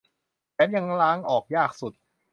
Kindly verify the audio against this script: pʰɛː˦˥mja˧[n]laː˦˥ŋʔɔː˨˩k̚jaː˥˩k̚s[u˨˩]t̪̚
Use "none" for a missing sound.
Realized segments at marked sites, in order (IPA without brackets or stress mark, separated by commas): ŋ, u˨˩